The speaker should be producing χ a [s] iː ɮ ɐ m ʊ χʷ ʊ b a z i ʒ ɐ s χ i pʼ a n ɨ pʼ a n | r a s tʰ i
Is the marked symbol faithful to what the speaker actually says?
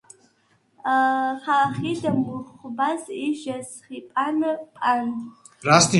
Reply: no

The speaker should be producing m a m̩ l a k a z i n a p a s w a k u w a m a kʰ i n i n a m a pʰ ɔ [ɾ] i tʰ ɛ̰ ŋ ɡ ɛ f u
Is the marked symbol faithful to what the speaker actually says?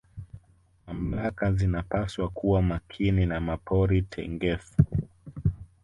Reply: yes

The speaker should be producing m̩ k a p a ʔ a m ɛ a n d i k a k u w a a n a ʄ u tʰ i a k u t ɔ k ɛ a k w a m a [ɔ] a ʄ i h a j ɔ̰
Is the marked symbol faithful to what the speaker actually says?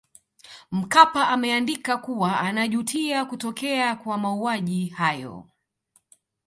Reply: no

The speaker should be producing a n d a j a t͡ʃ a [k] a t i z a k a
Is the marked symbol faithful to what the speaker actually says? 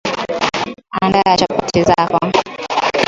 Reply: no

